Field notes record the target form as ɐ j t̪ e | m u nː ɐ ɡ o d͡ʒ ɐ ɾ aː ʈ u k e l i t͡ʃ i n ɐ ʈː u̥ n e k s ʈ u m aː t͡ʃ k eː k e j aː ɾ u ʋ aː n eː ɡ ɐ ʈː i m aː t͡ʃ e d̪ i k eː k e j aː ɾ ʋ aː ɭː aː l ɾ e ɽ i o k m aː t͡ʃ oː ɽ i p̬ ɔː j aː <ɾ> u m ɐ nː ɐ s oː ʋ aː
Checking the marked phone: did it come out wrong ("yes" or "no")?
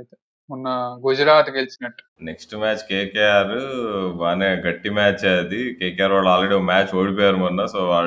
no